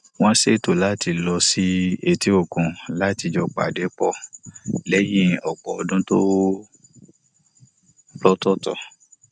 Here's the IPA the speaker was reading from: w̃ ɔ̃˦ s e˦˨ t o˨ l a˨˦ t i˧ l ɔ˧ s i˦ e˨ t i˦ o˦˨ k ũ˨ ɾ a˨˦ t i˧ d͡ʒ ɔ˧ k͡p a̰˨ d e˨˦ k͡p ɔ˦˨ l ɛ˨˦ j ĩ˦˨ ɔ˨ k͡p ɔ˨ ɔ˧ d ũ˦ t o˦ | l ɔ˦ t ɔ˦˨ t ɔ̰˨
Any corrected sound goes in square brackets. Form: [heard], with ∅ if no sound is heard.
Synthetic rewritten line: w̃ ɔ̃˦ s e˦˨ t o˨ l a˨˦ t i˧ l ɔ˧ s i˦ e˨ t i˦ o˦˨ k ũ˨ [l] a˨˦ t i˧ d͡ʒ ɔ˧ k͡p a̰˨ d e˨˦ k͡p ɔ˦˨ l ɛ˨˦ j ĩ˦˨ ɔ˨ k͡p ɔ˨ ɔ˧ d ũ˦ t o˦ | l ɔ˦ t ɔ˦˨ t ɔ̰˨